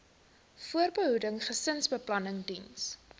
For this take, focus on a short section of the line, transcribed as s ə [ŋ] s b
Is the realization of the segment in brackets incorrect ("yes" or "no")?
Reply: yes